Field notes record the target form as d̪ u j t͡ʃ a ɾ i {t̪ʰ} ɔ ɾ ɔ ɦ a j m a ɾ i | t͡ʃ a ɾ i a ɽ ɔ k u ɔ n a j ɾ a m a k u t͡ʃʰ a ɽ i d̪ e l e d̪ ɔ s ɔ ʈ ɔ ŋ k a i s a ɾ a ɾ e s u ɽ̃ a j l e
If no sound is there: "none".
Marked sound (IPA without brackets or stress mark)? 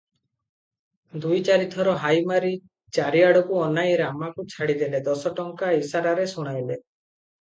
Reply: t̪ʰ